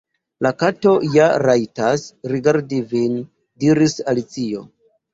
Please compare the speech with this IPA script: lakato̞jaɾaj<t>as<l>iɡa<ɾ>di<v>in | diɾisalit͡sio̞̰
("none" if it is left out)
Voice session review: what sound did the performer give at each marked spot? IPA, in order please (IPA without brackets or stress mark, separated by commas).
t, ɾ, ɾ, v